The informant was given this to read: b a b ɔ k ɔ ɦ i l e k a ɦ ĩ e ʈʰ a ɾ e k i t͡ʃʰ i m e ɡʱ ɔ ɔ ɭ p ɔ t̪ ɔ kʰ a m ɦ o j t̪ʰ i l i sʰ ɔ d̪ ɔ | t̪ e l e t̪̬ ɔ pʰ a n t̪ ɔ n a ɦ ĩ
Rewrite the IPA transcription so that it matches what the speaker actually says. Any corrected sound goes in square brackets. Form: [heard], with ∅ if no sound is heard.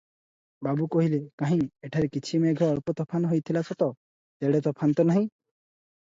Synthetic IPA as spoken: b a b [u] k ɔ ɦ i l e k a ɦ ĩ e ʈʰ a ɾ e k i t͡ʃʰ i m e ɡʱ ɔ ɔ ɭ p ɔ t̪ ɔ [pʰ] a [n] ɦ o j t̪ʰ i l [a] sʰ ɔ [t̪] ɔ | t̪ e [ɽ] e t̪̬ ɔ pʰ a n t̪ ɔ n a ɦ ĩ